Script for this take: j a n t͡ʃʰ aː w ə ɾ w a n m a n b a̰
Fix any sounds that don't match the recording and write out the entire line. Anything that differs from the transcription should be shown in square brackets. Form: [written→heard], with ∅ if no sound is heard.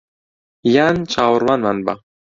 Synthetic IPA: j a n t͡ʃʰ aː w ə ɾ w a n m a n b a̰